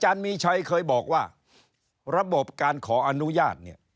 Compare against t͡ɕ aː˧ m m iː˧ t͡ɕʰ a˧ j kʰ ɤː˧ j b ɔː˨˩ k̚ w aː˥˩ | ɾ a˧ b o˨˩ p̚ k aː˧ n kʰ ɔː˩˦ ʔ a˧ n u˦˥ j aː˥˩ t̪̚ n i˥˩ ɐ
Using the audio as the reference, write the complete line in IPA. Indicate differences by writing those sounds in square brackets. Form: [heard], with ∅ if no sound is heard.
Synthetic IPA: t͡ɕ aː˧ [n] m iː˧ t͡ɕʰ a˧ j kʰ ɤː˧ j b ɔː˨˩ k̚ w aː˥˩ | ɾ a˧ b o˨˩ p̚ k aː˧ n kʰ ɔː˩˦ ʔ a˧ n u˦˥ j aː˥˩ t̪̚ n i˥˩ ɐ